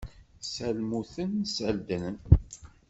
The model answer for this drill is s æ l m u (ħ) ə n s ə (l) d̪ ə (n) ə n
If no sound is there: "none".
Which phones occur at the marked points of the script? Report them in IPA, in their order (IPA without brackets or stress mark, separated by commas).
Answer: θ, l, n